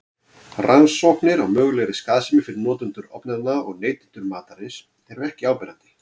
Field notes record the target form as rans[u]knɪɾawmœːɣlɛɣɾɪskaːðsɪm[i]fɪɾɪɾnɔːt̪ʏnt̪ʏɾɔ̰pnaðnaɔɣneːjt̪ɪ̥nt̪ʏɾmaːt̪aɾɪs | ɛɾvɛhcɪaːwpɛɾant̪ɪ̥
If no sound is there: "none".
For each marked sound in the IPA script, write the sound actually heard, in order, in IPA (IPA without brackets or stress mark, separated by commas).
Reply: ɔ, ɪ